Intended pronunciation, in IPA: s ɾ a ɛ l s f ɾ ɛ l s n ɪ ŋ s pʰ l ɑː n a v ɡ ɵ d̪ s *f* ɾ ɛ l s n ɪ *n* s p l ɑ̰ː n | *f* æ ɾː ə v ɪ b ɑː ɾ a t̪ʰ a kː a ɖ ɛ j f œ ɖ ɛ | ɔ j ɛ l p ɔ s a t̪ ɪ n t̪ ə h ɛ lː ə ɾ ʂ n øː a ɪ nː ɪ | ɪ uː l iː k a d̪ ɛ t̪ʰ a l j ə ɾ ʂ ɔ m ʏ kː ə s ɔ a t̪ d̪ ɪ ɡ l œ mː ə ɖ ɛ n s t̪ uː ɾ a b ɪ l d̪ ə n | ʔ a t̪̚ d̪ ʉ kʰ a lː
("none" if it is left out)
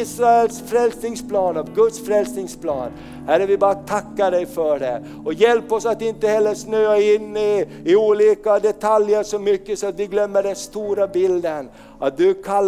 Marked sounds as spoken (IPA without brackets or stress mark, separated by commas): f, ŋ, h